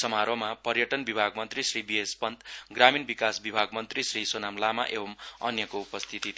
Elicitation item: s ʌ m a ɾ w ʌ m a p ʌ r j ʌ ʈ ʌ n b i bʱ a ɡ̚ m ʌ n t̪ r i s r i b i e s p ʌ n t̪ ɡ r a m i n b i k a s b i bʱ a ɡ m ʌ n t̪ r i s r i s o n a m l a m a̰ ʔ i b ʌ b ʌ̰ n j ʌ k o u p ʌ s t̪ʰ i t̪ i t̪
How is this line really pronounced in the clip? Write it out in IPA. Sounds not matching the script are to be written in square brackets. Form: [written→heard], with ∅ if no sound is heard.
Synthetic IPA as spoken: s ʌ m a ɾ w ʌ m a p ʌ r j ʌ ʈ ʌ n b i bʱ a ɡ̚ m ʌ n t̪ r i s r i b i e s p ʌ n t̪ ɡ r a m i n b i k a s b i bʱ a ɡ m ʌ n t̪ r i s r i s o n a m l a m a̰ ʔ [i→e] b ʌ [b→m] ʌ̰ n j ʌ k o u p ʌ s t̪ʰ i t̪ i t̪